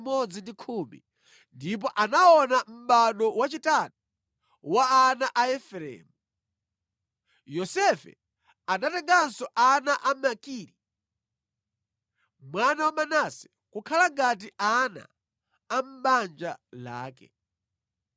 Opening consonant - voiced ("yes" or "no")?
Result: yes